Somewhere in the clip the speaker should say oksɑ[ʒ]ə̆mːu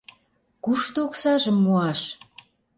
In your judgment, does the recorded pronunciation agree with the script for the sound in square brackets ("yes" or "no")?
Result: yes